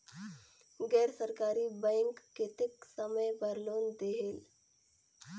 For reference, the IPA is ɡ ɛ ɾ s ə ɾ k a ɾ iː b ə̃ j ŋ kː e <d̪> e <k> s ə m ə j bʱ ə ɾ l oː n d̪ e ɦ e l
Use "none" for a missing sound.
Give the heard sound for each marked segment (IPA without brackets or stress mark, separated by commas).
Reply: t̪, k